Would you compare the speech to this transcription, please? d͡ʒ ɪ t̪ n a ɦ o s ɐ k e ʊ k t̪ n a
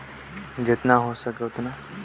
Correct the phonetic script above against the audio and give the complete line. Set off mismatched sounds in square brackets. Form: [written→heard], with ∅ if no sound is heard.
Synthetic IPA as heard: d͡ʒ ɪ t̪ n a ɦ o s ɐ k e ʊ [k→∅] t̪ n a